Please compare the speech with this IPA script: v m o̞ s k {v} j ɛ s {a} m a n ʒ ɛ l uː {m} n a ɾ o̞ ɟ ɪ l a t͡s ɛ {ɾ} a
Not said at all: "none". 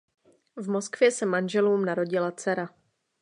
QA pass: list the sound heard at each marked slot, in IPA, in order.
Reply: v, ɛ, m, ɾ

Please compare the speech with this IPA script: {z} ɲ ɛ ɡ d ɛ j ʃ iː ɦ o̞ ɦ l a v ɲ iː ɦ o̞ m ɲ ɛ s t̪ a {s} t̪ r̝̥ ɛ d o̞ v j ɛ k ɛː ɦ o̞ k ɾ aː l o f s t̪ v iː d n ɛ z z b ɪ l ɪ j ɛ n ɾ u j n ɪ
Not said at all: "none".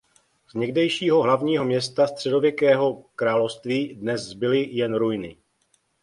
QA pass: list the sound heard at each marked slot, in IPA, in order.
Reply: z, s

